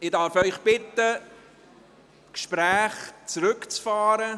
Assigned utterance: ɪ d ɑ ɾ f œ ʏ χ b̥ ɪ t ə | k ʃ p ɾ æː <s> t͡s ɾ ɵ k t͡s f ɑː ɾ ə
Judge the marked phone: incorrect: χ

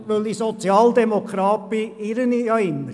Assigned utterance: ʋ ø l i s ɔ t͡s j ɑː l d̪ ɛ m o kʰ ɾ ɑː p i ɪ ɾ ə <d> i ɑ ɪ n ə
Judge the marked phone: incorrect: n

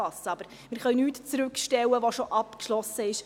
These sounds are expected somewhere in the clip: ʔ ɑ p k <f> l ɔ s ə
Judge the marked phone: incorrect: ʃ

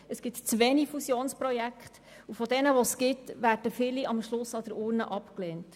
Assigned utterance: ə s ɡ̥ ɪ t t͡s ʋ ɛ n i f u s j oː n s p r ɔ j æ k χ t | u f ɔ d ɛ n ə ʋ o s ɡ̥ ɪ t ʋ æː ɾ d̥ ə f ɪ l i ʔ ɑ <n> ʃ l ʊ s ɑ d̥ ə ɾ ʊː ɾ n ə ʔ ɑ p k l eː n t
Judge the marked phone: incorrect: m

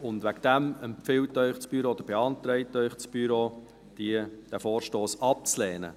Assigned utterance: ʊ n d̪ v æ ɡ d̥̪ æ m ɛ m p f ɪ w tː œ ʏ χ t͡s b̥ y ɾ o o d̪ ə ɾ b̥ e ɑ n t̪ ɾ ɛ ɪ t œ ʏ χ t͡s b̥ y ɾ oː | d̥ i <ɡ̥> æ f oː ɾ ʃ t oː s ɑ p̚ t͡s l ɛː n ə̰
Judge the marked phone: incorrect: d̥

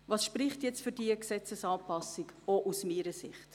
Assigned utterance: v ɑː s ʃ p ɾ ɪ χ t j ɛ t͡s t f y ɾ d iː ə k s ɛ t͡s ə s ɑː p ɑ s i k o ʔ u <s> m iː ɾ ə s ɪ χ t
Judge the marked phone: correct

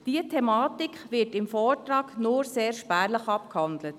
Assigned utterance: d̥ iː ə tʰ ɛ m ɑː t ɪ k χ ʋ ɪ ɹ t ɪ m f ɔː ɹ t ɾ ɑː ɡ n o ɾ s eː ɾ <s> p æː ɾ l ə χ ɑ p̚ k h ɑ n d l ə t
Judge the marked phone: incorrect: ʃ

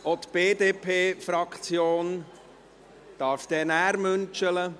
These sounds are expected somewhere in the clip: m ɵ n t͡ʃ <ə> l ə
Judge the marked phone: correct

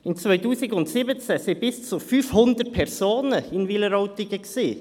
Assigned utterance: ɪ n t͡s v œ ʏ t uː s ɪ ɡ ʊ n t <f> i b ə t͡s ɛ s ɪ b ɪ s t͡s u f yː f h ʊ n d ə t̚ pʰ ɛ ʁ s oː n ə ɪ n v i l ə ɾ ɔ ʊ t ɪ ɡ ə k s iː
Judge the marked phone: incorrect: s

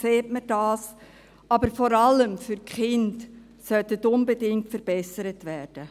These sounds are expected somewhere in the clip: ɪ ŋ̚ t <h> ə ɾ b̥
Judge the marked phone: incorrect: f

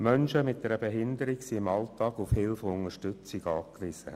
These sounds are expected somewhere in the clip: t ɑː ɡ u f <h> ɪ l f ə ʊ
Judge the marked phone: correct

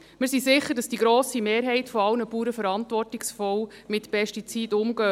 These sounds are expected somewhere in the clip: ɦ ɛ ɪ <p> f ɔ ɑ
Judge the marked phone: incorrect: t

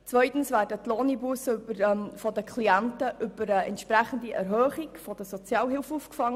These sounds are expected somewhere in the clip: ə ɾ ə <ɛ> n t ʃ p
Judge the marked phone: correct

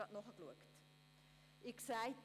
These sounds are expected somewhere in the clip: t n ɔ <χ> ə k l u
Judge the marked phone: correct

